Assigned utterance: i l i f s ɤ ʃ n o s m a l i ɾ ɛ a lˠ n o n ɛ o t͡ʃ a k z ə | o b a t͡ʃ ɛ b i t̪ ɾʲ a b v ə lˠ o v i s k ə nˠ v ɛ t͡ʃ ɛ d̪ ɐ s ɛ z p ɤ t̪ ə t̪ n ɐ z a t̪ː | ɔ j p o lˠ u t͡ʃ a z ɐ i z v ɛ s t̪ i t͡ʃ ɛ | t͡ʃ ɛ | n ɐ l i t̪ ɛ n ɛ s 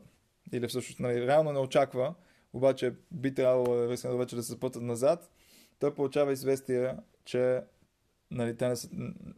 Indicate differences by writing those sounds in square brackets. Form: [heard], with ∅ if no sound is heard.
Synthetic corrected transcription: i l i f s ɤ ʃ n o s [n] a l i ɾ ɛ a lˠ n o n ɛ o t͡ʃ a k [v] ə | o b a t͡ʃ ɛ b i t̪ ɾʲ a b v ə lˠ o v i s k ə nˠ v ɛ t͡ʃ ɛ d̪ ɐ s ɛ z p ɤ t̪ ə t̪ n ɐ z a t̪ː | ɔ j p o lˠ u t͡ʃ a [v] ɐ i z v ɛ s t̪ i [∅] ɛ | t͡ʃ ɛ | n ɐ l i t̪ ɛ n ɛ s